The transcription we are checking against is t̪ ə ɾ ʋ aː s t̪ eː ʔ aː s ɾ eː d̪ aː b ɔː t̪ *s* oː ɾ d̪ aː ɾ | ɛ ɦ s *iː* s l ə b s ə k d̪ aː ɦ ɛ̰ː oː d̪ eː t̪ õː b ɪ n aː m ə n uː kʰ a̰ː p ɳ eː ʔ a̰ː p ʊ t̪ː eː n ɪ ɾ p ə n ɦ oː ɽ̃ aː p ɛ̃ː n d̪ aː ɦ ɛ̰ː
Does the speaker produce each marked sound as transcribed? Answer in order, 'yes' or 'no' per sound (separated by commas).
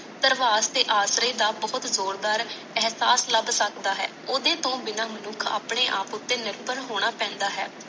no, no